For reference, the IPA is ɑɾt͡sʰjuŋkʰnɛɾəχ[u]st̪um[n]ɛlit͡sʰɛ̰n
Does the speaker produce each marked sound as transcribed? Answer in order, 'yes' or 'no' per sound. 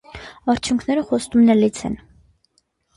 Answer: no, yes

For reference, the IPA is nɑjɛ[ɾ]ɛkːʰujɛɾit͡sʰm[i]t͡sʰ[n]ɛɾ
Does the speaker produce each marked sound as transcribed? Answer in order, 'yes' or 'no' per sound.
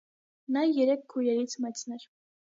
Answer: yes, no, yes

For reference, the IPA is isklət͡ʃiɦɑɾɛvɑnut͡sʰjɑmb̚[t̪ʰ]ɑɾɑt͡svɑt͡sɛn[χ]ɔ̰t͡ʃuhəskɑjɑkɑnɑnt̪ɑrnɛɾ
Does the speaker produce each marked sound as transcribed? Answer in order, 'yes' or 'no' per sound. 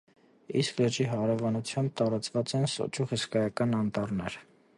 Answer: no, no

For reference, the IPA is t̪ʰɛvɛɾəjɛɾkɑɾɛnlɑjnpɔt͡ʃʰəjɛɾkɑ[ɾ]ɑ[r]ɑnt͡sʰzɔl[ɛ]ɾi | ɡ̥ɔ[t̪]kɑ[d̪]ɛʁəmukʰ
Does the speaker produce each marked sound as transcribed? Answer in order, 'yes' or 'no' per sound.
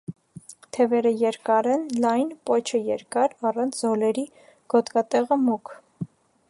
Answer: yes, yes, yes, yes, no

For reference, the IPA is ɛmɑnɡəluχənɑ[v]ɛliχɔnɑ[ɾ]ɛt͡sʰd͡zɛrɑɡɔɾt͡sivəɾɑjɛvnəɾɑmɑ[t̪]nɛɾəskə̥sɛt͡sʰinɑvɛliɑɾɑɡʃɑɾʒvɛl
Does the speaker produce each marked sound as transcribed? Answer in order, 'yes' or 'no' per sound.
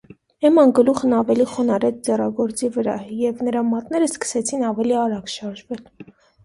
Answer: yes, yes, yes

